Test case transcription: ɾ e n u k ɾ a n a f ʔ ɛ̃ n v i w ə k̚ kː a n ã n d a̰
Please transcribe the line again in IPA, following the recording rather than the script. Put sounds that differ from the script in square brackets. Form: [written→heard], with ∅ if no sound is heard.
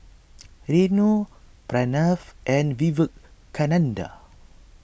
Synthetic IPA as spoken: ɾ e n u [k→p] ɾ a n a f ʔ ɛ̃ n v i [w→v] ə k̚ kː a n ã n d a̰